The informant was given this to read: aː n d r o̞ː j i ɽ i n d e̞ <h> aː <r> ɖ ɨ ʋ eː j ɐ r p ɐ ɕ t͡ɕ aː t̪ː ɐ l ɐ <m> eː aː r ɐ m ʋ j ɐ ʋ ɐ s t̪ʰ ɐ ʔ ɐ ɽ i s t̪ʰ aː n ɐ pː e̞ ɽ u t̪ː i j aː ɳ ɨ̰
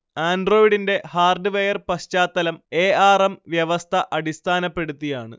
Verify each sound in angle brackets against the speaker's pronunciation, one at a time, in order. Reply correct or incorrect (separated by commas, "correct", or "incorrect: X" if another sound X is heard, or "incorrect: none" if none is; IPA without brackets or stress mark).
correct, correct, correct